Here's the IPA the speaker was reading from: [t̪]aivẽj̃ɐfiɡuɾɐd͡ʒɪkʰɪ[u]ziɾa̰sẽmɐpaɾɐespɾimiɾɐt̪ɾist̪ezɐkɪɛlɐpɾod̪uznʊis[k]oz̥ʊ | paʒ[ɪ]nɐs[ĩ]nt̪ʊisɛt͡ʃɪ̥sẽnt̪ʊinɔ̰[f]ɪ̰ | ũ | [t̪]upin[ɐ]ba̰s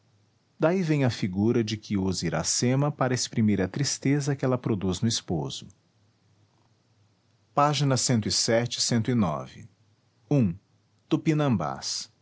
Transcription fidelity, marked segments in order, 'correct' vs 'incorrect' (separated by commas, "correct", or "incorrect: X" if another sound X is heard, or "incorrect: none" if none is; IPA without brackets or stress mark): incorrect: d̪, correct, incorrect: p, incorrect: i, incorrect: ẽ, incorrect: v, correct, incorrect: ɐ̃